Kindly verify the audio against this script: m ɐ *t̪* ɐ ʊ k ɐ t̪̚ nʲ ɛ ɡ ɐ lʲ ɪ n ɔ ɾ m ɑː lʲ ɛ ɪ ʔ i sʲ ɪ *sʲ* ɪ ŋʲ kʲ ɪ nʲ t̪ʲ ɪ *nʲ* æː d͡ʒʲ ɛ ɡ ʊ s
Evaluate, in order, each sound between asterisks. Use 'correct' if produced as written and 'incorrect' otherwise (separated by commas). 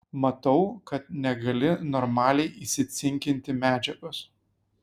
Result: correct, correct, incorrect